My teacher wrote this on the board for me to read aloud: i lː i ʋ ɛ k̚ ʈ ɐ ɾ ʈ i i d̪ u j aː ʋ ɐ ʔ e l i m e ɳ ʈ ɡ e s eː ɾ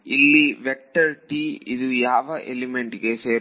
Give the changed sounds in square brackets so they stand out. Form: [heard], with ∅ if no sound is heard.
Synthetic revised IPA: i lː i ʋ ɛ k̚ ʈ ɐ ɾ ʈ i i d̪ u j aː ʋ ɐ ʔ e l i m e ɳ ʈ ɡ e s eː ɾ